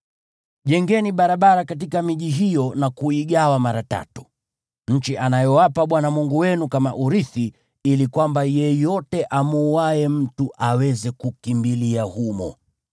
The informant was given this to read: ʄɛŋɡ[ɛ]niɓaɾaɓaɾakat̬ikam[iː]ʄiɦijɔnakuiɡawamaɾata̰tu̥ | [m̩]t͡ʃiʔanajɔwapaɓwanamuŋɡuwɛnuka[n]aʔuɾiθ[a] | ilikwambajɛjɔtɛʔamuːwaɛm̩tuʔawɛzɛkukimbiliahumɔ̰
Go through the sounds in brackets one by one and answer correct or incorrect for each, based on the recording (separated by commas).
correct, incorrect, incorrect, incorrect, incorrect